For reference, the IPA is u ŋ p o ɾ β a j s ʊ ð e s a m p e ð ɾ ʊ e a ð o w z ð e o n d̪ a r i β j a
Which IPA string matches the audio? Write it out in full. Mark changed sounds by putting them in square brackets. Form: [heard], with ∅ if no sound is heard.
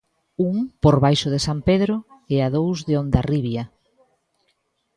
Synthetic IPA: u ŋ p o ɾ β a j [ʃ] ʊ ð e s a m p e ð ɾ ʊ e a ð o w z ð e o n d̪ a r i β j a